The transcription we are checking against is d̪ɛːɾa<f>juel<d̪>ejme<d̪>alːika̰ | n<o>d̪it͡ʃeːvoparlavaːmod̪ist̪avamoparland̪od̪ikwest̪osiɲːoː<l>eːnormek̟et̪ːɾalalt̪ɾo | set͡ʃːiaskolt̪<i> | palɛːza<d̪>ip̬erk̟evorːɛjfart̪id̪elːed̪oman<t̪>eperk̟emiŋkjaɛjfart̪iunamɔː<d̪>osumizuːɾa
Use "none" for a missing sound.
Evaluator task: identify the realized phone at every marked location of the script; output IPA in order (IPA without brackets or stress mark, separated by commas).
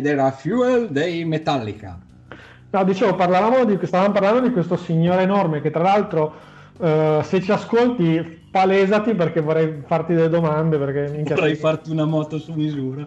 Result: f, d̪, t̪, ɔ, ɾ, i, t̪, d̪, t̪